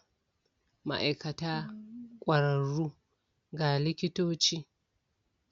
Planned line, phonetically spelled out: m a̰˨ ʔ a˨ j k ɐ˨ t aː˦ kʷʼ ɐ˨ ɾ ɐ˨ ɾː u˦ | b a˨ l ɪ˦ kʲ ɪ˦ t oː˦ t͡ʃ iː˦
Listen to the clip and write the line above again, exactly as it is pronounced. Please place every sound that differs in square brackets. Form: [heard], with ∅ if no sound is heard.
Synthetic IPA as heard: m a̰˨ ʔ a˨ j k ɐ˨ t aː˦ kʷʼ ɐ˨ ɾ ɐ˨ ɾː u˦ | [ɡ] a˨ l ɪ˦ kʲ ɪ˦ t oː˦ t͡ʃ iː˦